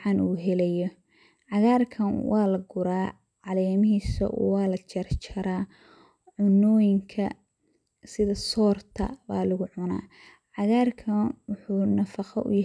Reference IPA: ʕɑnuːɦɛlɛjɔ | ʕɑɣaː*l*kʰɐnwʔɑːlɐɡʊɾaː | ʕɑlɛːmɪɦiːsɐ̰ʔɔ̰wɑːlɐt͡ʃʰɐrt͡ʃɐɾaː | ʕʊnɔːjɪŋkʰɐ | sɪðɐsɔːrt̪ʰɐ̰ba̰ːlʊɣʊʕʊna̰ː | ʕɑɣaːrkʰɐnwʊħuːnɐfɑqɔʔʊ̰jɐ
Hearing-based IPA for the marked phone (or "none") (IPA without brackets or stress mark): r